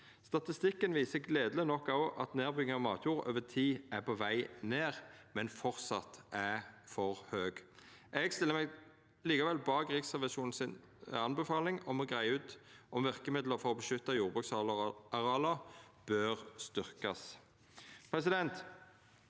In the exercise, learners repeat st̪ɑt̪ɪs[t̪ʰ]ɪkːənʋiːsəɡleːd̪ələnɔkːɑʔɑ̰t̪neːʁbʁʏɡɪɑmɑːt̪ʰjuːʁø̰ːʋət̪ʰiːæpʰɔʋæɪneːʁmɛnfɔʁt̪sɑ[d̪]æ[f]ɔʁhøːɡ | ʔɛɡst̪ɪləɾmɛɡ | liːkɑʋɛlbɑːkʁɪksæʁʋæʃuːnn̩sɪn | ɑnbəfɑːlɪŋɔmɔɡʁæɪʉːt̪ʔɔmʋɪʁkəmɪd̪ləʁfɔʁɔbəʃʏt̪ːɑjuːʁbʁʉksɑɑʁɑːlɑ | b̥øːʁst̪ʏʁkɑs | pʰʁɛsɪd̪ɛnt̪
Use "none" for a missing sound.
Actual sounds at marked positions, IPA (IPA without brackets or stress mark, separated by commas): t̪, t̪, f